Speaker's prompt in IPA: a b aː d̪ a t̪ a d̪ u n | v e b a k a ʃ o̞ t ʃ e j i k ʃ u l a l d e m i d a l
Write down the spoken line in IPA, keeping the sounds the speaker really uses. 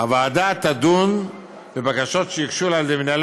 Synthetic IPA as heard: a v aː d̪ a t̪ a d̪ u n | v e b a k a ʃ o̞ t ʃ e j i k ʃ u l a l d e m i n a l